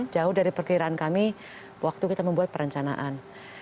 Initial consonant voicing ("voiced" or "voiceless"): voiced